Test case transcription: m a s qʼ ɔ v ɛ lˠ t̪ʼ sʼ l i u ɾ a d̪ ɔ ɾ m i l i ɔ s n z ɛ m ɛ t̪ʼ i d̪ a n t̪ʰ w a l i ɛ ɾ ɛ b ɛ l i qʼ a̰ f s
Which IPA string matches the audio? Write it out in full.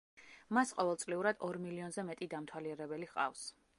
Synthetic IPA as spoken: m a s qʼ ɔ v ɛ lˠ t̪ sʼ l i u ɾ a d̪ ɔ ɾ m i l i ɔ n z ɛ m ɛ t̪ʼ i d̪ a m t̪ʰ w a l i ɛ ɾ ɛ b ɛ l i qʼ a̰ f s